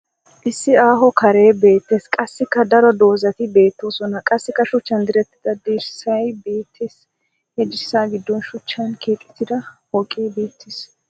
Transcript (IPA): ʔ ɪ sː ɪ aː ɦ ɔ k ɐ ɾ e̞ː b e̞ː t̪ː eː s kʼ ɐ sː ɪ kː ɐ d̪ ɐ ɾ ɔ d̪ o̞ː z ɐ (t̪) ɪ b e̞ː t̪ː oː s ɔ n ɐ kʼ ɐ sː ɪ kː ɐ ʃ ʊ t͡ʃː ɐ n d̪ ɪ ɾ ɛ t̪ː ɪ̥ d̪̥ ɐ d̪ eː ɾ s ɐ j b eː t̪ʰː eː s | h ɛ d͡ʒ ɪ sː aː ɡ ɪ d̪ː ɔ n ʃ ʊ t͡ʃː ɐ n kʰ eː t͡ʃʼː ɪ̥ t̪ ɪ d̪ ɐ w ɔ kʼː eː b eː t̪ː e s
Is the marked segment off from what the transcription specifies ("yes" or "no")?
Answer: no